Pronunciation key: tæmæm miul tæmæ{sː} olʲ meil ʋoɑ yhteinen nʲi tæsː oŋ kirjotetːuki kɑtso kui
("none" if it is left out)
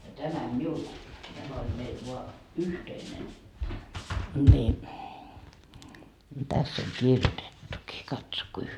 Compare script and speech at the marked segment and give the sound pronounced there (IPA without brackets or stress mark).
none